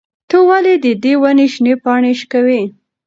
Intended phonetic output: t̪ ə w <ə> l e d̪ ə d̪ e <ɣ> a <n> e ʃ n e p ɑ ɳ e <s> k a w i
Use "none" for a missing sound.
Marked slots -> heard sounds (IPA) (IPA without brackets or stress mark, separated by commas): a, w, n, ʃ